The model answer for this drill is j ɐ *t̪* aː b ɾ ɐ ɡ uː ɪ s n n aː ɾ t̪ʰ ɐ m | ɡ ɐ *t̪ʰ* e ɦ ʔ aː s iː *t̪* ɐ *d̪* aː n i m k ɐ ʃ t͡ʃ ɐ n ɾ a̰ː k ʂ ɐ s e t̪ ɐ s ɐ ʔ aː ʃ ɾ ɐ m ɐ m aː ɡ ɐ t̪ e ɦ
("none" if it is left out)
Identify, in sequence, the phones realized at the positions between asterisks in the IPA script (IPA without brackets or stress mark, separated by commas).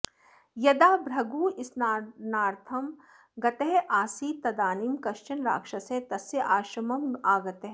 d̪, t̪, t̪, d̪